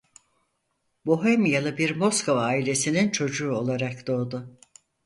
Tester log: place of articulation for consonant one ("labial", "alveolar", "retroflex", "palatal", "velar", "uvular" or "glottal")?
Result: labial